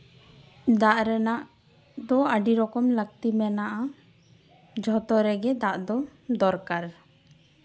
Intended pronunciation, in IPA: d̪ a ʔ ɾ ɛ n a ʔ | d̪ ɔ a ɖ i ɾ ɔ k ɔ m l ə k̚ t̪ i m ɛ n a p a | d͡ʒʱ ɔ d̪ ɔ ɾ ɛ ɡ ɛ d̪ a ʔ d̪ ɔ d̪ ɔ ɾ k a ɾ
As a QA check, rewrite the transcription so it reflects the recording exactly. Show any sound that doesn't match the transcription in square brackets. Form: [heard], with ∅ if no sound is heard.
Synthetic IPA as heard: d̪ a ʔ ɾ ɛ n a ʔ | d̪ ɔ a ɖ i ɾ ɔ k ɔ m l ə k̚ t̪ i m ɛ n a [ʔ] a | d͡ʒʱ ɔ [t̪] ɔ ɾ ɛ ɡ ɛ d̪ a ʔ d̪ ɔ d̪ ɔ ɾ k a ɾ